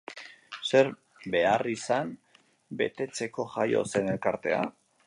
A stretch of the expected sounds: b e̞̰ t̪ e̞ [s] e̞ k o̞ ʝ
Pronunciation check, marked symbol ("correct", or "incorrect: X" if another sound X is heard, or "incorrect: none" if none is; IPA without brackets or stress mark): incorrect: t͡s